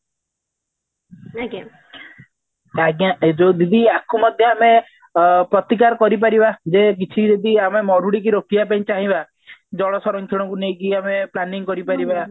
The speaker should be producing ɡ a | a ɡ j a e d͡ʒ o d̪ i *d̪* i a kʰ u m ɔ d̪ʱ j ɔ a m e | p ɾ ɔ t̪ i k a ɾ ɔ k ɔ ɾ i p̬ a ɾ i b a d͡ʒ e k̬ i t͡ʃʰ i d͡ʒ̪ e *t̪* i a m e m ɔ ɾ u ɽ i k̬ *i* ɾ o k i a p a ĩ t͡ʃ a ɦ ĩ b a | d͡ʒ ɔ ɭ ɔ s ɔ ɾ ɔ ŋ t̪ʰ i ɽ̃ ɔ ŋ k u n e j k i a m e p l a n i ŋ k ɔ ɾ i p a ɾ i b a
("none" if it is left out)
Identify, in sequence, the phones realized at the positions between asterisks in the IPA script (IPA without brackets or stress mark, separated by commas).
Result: d̪, d̪, i